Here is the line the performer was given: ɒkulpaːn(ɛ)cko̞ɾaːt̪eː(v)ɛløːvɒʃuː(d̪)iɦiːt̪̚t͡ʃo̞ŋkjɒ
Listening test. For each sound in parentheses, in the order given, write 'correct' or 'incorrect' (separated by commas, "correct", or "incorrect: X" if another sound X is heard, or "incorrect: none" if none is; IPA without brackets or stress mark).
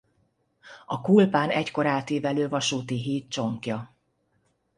correct, correct, incorrect: t̪